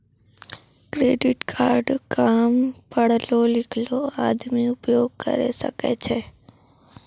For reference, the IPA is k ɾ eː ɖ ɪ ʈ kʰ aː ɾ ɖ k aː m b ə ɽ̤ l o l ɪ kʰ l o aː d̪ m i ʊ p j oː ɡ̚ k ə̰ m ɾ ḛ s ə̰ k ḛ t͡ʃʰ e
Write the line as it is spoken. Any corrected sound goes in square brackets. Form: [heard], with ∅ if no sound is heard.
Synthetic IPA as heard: k ɾ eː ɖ ɪ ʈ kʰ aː ɾ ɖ k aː m [p] ə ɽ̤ l o l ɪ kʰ l o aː d̪ m i ʊ p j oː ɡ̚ k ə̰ [∅] ɾ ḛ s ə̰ k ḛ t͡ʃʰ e